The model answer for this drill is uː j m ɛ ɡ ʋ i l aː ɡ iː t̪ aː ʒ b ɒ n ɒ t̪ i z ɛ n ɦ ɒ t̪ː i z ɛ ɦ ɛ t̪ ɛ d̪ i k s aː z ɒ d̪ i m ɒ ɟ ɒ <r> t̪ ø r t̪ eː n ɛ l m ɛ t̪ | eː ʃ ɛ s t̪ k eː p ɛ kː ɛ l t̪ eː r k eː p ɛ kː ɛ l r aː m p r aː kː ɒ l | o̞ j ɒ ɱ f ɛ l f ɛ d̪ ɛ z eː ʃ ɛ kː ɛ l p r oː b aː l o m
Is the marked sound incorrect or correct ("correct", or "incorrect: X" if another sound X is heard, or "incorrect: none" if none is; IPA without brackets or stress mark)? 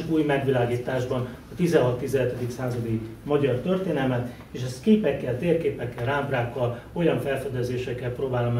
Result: correct